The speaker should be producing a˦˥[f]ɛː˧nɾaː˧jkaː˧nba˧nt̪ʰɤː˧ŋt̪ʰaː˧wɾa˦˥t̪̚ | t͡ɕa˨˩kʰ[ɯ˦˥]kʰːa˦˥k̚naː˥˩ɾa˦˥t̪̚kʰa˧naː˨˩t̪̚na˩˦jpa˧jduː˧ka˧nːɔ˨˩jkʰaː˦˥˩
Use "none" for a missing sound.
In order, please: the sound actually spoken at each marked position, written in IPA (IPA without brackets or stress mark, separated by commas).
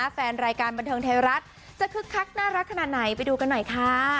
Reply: f, ɯ˦˥